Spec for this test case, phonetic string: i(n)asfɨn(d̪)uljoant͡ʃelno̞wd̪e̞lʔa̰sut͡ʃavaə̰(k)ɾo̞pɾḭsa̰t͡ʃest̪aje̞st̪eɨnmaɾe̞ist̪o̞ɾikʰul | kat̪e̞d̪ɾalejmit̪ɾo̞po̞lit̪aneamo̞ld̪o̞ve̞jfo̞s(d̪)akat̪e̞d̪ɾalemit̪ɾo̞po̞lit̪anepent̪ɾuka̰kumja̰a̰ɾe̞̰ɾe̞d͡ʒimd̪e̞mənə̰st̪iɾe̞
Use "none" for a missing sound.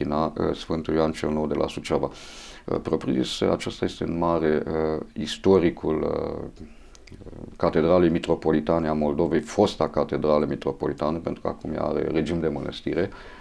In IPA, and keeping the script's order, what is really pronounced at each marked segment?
n, t̪, p, t̪

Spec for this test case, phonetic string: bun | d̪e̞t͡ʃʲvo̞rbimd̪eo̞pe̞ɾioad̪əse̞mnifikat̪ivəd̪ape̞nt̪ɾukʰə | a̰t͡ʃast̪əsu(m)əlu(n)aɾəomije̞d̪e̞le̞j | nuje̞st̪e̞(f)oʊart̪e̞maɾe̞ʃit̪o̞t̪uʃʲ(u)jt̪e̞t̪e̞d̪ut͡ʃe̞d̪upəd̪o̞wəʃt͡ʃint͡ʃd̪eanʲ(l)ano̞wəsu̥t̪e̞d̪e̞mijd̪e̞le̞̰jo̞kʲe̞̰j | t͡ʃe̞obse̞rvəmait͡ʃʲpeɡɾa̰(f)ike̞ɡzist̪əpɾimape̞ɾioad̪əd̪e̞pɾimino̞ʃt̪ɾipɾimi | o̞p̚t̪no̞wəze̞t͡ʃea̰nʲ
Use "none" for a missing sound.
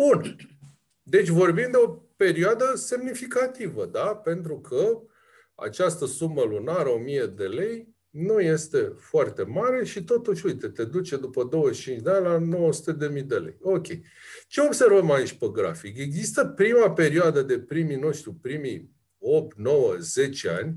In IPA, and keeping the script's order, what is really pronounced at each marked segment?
m, n, f, u, l, f

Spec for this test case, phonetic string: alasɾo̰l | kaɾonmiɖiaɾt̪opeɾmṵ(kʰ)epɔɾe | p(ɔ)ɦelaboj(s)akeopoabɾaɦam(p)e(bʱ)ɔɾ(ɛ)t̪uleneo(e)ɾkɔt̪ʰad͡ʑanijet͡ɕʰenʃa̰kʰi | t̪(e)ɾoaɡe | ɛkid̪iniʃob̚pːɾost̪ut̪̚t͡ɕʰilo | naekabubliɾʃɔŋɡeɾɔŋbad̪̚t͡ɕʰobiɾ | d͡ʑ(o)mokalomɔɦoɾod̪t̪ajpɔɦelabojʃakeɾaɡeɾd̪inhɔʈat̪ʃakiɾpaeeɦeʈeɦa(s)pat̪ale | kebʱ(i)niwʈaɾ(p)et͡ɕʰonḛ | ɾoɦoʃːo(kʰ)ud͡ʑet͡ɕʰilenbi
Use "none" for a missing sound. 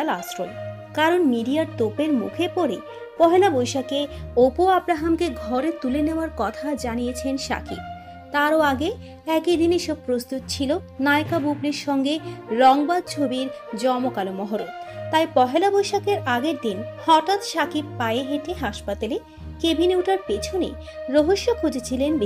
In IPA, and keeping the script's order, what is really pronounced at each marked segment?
kʰ, ɔ, ʃ, k, ɡʱ, e, a, a, ɔ, ʃ, i, p, kʰ

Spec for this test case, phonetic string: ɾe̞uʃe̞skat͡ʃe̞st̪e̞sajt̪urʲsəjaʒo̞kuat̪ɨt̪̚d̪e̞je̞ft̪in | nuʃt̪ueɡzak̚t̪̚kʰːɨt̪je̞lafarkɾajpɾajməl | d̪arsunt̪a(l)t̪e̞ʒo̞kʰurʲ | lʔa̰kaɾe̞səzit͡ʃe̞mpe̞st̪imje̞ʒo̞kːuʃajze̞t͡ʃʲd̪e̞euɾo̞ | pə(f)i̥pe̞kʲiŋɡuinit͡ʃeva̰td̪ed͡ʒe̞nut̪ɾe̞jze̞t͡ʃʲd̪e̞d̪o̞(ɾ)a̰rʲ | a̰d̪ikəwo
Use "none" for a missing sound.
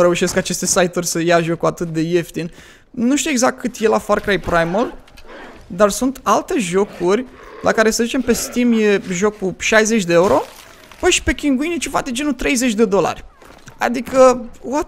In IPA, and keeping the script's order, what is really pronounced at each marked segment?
l, ʃ, l

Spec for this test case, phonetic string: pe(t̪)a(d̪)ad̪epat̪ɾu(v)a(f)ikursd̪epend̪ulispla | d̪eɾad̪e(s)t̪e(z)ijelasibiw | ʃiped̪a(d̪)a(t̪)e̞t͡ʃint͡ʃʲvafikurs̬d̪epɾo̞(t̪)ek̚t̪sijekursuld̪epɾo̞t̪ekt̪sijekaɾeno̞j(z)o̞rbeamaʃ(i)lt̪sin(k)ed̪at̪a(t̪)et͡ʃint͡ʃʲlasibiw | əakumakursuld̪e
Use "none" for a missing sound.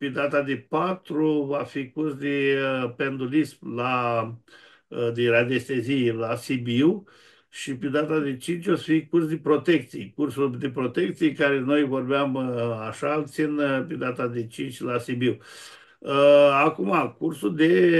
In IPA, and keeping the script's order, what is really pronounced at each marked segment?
d̪, t̪, v, f, s, z, t̪, d̪, t̪, v, a, p, d̪

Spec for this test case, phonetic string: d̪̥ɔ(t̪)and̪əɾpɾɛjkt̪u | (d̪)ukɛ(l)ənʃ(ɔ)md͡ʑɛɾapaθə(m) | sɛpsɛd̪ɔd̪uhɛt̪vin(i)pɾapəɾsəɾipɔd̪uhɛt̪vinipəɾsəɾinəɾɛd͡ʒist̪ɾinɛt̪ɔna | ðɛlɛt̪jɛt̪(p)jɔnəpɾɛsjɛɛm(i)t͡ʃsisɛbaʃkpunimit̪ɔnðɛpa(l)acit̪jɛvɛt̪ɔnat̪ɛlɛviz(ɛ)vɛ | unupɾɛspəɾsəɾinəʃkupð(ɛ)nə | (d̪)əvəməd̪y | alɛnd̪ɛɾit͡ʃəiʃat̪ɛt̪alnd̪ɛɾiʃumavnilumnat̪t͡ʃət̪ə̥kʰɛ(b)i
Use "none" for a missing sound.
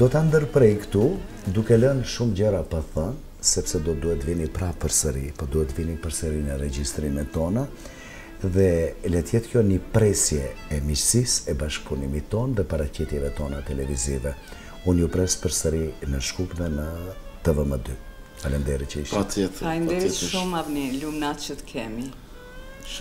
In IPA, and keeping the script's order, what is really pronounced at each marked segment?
t̪, d̪, l, u, n, i, k, i, ɾ, i, ɛ, t̪, m

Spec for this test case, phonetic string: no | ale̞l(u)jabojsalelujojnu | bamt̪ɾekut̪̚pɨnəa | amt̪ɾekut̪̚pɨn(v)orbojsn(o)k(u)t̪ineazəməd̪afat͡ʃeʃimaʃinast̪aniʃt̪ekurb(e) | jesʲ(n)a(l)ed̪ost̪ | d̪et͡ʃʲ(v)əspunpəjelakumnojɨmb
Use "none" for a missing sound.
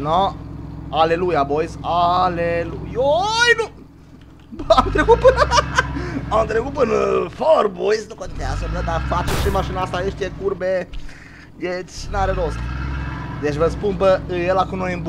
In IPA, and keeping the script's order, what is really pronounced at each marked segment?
u, f, u, o, e, n, ɾ, v

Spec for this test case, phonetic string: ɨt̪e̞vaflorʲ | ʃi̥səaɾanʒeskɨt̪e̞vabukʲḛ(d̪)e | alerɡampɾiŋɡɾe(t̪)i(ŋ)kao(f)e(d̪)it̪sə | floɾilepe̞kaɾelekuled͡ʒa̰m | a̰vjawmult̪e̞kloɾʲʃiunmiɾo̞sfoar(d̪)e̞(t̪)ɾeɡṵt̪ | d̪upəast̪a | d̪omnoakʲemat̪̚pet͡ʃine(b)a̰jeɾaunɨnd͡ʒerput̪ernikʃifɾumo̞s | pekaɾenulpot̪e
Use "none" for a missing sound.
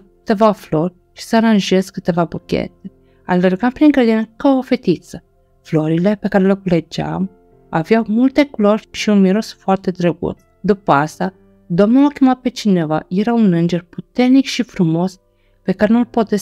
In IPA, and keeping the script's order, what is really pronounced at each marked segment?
t̪, d̪, n, f, t̪, t̪, d̪, v

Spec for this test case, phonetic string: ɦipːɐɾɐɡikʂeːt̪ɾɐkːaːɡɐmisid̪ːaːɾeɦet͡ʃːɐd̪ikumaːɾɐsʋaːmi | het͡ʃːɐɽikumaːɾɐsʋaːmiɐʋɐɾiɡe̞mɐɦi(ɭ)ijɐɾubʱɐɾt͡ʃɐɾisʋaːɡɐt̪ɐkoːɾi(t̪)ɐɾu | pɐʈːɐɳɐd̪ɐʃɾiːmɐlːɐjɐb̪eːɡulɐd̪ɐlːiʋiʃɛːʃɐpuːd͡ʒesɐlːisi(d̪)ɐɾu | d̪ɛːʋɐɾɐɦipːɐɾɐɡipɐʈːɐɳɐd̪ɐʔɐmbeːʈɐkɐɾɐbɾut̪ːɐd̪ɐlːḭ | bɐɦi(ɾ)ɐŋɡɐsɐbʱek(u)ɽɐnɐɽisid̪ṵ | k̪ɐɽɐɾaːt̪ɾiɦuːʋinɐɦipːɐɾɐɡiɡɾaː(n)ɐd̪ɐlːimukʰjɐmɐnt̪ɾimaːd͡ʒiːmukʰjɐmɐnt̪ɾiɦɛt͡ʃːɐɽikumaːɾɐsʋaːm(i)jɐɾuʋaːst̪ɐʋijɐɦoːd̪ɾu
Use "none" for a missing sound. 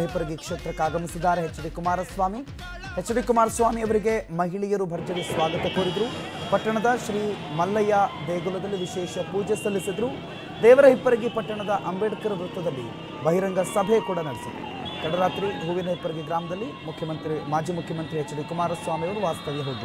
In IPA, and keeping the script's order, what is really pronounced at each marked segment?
ɭ, d̪, d̪, ɾ, uː, m, i

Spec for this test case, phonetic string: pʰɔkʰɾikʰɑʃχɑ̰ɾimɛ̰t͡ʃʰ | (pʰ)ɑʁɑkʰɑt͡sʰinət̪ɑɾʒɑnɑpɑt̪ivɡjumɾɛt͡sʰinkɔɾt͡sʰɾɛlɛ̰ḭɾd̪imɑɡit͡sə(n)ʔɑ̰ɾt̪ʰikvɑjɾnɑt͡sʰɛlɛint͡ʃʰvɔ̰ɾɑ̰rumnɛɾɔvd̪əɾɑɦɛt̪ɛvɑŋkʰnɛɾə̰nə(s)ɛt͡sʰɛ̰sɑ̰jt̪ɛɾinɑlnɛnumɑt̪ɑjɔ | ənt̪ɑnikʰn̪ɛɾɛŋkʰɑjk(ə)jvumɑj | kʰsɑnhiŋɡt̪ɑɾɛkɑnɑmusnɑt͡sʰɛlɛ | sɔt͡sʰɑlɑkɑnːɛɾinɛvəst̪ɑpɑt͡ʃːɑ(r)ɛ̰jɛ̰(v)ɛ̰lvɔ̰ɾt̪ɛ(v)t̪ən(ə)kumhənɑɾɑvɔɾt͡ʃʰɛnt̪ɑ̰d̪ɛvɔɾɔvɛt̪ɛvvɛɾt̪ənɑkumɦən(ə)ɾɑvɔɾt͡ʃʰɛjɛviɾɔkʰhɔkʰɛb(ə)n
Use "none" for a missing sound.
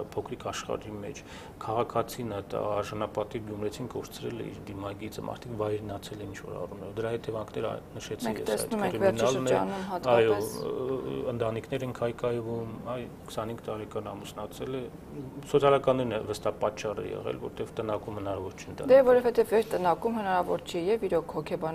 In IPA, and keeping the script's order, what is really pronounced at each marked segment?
kʰ, m, ʃ, ɑ, r, ʁ, v, ɑ, ɑ, ɑ

